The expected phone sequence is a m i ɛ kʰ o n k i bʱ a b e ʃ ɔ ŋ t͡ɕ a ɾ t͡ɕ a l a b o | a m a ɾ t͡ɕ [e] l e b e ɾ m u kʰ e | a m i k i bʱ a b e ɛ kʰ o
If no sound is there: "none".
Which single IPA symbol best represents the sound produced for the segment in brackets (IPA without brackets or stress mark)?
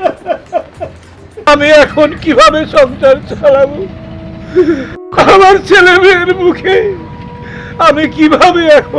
e